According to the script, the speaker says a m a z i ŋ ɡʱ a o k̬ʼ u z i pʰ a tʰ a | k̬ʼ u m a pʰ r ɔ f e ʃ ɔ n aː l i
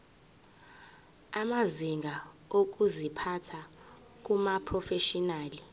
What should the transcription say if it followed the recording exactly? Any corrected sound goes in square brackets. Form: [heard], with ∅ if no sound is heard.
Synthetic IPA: a m a z i ŋ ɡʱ a o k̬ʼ u z i pʰ a tʰ a | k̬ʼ u m a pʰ r ɔ f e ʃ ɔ n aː l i

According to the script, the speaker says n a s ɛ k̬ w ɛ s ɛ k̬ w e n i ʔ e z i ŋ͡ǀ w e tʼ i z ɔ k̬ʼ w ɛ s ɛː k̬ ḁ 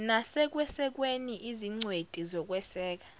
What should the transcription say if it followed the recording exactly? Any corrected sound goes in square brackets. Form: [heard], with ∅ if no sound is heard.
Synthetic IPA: n a s ɛ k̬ w ɛ s ɛ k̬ w e n i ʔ [i] z i ŋ͡ǀ w e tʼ i z ɔ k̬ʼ w ɛ s ɛː k̬ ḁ

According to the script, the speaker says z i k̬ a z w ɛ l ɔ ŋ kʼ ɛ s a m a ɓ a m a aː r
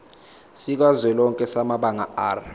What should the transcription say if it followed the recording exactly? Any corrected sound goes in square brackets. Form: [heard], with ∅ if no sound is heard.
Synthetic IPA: [s] i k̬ a z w ɛ l ɔ ŋ kʼ ɛ s a m a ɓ a [ŋ] a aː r

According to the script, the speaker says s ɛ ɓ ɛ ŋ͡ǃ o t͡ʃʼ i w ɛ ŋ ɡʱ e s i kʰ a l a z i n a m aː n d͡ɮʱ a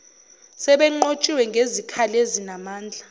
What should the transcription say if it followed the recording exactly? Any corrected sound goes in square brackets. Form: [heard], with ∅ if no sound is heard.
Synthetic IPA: s ɛ ɓ ɛ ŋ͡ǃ o t͡ʃʼ i w ɛ ŋ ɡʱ e [z] i kʰ a l [e] z i n a m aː n d͡ɮʱ a

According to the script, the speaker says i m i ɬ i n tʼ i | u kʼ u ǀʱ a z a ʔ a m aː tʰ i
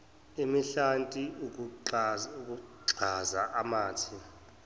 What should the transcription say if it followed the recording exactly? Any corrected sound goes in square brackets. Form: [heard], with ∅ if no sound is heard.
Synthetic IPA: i m i ɬ [a] n tʼ i | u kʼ u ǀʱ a z a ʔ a m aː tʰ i

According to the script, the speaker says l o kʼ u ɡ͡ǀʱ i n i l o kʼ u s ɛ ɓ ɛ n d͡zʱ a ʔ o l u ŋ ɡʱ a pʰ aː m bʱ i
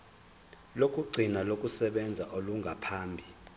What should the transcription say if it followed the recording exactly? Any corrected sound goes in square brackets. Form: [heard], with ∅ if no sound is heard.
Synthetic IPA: l o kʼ u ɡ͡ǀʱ i n [a] l o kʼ u s ɛ ɓ ɛ n d͡zʱ a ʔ o l u ŋ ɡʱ a pʰ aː m bʱ i

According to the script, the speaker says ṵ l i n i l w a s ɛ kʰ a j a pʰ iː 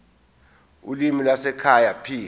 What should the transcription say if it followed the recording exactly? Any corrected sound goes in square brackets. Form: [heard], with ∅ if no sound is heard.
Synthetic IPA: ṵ l i [m] i l w a s ɛ kʰ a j a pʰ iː

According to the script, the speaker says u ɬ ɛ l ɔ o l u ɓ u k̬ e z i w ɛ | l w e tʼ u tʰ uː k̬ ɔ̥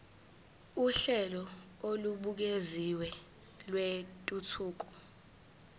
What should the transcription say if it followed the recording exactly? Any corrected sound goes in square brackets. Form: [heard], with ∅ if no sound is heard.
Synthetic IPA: u ɬ ɛ l ɔ o l u ɓ u k̬ e z i w ɛ | l w e tʼ u tʰ uː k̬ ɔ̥

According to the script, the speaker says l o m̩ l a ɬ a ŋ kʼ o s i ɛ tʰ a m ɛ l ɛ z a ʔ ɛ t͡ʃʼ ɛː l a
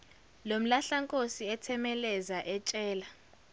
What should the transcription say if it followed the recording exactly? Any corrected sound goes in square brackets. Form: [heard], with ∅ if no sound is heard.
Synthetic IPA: l o m̩ l a ɬ a ŋ kʼ o s i ɛ tʰ [ɛ] m ɛ l ɛ z a ʔ ɛ t͡ʃʼ ɛː l a

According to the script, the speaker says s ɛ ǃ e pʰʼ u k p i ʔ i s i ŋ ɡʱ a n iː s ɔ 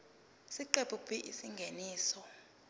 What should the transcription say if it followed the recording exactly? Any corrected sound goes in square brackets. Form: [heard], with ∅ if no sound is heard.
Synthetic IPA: s [i] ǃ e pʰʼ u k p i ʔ i s i ŋ ɡʱ [e] n iː s ɔ

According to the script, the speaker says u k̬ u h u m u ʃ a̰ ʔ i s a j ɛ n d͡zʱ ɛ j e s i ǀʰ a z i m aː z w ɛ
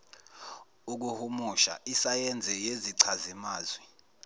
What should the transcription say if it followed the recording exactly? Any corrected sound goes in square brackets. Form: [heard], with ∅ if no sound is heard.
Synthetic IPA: u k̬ u h u m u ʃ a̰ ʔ i s a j ɛ n d͡zʱ ɛ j e [z] i ǀʰ a z i m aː z w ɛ

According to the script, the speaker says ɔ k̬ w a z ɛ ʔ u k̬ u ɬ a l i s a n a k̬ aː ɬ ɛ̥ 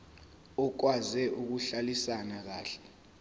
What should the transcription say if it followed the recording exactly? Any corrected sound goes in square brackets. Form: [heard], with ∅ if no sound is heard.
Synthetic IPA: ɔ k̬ w a z ɛ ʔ u k̬ u ɬ a l i s a n a k̬ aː ɬ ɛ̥

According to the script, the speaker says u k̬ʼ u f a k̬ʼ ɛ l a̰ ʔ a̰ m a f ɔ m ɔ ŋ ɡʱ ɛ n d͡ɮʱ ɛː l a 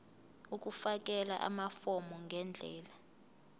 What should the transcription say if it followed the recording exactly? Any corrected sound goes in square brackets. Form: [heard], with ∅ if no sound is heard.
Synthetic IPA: u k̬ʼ u f a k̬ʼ ɛ l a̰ ʔ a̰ m a f ɔ m ɔ ŋ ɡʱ ɛ n d͡ɮʱ ɛː l a

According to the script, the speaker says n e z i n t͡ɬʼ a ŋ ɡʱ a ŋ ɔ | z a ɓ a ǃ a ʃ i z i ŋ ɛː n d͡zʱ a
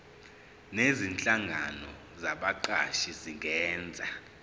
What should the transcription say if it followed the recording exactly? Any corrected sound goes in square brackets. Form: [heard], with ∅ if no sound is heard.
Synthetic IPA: n e z i n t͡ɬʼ a ŋ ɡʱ a [n] ɔ | z a ɓ a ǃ a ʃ i z i ŋ ɛː n d͡zʱ a

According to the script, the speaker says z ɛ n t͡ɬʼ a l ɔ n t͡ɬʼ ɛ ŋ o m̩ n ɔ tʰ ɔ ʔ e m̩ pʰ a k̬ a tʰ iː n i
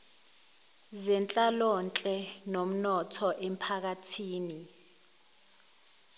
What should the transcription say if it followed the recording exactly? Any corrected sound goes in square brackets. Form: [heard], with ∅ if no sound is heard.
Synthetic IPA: z ɛ n t͡ɬʼ a l ɔ n t͡ɬʼ ɛ [n] o m̩ n ɔ tʰ ɔ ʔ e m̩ pʰ a k̬ a tʰ iː n i

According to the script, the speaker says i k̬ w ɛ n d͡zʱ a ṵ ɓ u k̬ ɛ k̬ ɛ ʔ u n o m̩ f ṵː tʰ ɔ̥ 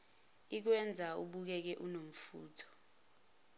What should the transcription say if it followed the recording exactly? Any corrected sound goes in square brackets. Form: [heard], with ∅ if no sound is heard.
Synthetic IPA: i k̬ w ɛ n d͡zʱ a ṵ ɓ u k̬ ɛ k̬ ɛ ʔ u n o m̩ f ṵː tʰ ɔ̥

